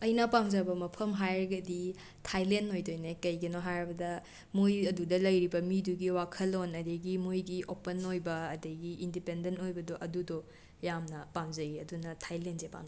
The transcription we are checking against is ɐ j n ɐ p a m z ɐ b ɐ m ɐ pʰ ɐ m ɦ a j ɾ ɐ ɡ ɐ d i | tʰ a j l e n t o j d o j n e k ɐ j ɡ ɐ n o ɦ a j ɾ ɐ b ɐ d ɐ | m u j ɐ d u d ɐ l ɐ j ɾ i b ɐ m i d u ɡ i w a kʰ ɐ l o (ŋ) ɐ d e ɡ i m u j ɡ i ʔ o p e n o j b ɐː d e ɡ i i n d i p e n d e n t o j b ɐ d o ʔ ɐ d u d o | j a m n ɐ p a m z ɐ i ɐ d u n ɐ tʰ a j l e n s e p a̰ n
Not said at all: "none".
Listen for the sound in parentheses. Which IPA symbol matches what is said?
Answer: n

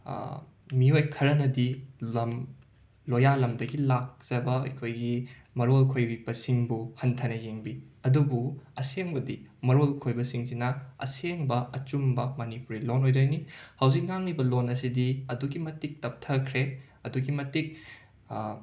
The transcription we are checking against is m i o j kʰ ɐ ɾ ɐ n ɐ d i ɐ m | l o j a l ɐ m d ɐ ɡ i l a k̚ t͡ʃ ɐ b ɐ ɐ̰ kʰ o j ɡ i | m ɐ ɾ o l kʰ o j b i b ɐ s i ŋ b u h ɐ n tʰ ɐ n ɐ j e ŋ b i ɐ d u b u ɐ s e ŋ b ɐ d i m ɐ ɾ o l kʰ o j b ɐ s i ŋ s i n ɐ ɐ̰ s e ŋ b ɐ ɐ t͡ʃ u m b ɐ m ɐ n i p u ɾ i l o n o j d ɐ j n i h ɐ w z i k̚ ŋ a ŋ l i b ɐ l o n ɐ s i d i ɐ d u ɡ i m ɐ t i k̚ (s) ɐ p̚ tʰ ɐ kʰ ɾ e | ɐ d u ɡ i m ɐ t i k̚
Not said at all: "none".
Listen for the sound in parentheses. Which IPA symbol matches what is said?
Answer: t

